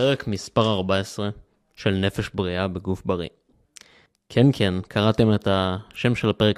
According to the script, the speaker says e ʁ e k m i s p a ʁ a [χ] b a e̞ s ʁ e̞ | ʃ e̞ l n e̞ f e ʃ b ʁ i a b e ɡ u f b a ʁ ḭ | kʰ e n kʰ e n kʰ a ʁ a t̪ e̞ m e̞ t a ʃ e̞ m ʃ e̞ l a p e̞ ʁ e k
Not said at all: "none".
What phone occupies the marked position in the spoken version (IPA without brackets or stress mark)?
ʁ